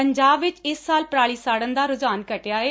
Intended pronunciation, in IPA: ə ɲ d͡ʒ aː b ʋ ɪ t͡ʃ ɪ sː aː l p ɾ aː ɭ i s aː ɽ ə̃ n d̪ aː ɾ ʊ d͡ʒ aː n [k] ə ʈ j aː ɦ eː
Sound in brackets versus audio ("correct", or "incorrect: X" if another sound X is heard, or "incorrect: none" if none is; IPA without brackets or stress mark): correct